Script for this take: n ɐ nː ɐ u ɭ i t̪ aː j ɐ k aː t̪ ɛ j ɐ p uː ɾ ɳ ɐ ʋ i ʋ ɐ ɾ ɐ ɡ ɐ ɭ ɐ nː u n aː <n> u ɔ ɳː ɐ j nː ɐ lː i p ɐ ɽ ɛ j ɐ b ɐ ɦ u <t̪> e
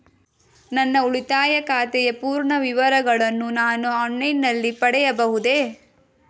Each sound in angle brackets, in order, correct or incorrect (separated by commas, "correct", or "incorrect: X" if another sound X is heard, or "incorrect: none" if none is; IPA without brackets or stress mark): correct, incorrect: d̪